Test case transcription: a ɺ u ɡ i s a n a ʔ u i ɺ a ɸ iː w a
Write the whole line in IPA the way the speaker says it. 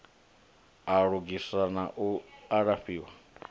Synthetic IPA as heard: a ɺ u ɡ i s a n a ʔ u a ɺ a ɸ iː w a